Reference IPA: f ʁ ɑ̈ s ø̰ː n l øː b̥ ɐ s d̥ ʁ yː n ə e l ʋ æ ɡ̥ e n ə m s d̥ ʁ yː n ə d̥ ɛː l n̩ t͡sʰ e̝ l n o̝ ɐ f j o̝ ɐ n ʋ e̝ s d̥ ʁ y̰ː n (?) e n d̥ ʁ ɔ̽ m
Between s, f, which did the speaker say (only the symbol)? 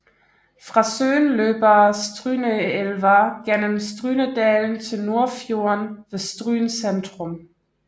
s